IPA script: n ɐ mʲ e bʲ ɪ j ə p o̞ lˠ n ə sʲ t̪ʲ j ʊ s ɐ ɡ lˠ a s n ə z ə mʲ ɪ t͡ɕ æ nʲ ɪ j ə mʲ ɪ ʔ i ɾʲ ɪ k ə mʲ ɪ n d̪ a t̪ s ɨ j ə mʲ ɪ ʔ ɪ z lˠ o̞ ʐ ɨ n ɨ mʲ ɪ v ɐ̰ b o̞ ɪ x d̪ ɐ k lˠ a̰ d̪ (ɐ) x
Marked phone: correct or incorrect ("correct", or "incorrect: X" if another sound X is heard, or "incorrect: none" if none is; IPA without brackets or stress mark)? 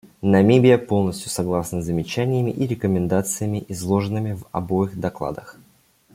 incorrect: ə